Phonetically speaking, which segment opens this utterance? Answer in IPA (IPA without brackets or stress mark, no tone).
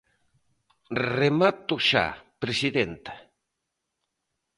r